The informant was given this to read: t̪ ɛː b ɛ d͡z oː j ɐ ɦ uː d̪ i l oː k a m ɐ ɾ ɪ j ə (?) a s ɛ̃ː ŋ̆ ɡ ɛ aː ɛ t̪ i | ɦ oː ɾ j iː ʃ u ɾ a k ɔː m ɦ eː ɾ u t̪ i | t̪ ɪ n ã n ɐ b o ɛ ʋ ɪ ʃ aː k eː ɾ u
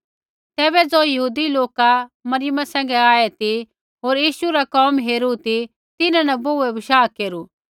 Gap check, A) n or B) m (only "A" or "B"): B